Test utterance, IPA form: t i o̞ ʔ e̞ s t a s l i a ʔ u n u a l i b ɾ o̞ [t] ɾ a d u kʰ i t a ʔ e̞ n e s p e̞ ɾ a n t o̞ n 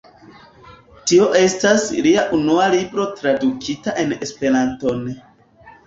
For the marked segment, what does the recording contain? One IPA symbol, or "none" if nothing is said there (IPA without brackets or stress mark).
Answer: t